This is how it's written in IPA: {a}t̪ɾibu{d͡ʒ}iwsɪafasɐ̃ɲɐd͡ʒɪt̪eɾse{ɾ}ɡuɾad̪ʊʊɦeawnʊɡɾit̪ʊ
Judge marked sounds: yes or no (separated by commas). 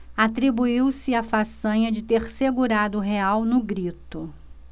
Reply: yes, no, no